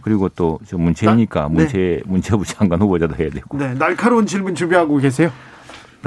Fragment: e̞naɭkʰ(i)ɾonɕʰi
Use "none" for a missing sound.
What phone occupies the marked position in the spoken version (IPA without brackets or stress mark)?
a